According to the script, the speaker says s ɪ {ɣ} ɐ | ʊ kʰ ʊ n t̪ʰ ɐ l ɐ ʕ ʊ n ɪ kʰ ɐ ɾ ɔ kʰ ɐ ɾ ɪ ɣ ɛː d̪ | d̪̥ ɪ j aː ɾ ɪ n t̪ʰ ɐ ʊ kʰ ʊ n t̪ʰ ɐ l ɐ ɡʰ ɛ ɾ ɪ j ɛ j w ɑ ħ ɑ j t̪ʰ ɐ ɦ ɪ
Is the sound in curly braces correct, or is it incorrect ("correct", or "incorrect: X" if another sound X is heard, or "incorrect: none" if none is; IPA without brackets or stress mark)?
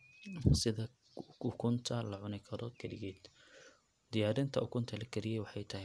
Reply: incorrect: ð